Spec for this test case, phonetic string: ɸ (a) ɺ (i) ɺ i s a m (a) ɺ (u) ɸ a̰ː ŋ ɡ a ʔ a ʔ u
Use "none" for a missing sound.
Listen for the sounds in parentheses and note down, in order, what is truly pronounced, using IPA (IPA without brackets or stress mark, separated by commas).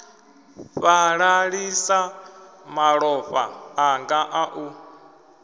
a, a, a, ɔ